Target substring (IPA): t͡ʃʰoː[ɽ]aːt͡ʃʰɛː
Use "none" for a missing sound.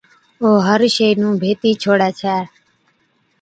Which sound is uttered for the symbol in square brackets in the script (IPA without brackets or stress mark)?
ɽ